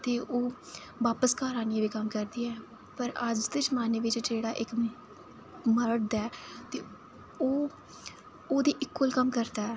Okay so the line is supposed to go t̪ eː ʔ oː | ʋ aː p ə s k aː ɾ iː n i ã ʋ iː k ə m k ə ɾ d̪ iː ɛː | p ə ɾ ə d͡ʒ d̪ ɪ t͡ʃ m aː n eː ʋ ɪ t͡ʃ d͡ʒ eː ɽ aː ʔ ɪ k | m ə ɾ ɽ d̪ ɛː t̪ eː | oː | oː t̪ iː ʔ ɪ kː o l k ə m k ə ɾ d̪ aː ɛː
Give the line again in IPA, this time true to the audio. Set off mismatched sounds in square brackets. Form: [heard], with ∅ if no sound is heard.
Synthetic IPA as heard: t̪ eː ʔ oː | ʋ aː p ə s k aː ɾ [aː] n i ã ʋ iː k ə m k ə ɾ d̪ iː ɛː | p ə ɾ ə d͡ʒ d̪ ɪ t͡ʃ m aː n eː ʋ ɪ t͡ʃ d͡ʒ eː ɽ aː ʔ ɪ k | m ə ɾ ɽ d̪ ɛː t̪ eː | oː | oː [d̪] iː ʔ ɪ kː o l k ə m k ə ɾ d̪ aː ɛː